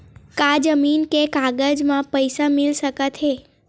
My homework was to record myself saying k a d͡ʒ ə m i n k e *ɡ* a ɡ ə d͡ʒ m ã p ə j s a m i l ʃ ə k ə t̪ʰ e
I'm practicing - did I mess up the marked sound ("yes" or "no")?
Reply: yes